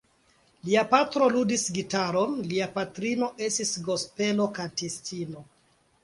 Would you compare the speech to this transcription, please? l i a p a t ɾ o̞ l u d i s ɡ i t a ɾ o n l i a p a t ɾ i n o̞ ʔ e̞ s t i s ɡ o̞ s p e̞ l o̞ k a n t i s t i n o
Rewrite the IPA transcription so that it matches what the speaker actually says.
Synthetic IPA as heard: l i a p a t ɾ o̞ l u d i s ɡ i t a ɾ o n l i a p a t ɾ i n o̞ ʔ e̞ s t i s ɡ o̞ s p e̞ l o̞ k a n t i s t i n o